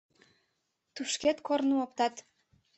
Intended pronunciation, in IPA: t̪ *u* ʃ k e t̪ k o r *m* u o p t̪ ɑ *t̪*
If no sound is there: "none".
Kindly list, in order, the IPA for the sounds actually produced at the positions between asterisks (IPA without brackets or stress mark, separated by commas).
u, n, t̪